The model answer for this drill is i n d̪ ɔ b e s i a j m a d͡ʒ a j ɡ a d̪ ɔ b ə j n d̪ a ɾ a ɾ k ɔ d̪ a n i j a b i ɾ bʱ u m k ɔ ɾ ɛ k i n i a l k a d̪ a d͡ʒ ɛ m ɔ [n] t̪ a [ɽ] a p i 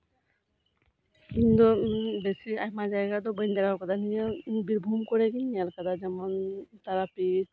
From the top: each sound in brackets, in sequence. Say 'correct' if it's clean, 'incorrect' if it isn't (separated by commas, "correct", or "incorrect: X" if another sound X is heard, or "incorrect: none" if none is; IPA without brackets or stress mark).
correct, incorrect: ɾ